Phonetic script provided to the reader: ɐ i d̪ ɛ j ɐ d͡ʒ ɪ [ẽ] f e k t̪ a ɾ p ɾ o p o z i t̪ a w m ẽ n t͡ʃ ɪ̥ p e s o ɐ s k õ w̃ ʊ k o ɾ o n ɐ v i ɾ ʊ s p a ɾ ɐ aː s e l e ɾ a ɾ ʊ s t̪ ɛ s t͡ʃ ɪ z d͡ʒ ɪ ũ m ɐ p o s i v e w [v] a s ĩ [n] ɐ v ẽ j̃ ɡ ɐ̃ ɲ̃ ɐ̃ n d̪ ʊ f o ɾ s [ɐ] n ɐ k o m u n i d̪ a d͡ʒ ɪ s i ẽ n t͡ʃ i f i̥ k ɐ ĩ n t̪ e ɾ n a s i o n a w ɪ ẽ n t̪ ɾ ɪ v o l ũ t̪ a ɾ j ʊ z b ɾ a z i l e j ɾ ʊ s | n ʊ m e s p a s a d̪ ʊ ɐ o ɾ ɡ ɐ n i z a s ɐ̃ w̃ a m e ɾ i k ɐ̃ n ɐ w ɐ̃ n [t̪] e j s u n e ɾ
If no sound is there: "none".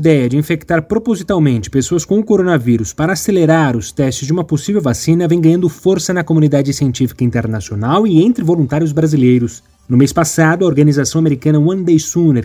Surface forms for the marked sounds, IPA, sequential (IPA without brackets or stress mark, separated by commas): ĩ, v, n, ɐ, d̪